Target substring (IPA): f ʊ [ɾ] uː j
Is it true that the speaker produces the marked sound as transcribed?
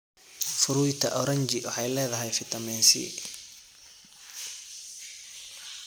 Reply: yes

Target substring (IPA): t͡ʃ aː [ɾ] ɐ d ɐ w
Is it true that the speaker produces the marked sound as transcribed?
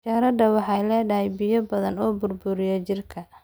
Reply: yes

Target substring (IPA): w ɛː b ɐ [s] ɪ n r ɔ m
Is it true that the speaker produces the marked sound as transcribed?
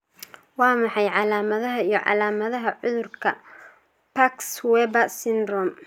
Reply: yes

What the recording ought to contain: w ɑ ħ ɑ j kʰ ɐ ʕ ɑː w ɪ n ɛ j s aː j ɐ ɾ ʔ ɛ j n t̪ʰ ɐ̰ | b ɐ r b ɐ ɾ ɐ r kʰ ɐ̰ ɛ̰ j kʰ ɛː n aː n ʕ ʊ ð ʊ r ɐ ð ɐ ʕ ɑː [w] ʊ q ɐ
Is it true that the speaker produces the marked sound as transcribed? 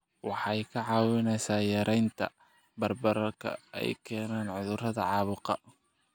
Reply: no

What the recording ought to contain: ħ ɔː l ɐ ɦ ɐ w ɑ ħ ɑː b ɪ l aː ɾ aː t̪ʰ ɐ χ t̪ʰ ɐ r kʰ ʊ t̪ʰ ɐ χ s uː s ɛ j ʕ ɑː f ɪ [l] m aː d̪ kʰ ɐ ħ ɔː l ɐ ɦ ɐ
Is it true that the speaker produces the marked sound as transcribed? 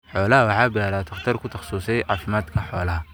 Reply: no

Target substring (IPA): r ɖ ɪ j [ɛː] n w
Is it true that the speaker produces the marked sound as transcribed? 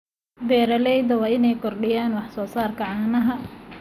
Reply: no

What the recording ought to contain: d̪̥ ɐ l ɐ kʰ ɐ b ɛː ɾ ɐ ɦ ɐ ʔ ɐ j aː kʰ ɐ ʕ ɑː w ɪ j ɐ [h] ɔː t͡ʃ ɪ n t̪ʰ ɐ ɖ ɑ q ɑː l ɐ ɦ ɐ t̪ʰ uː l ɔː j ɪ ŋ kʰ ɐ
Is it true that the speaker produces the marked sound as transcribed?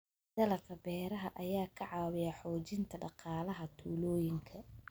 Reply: no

